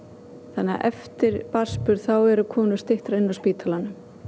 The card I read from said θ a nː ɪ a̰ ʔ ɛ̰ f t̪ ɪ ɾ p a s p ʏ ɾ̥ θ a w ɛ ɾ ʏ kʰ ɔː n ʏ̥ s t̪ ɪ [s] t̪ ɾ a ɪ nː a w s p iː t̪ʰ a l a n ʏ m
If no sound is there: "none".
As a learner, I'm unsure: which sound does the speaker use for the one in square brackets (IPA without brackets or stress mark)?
h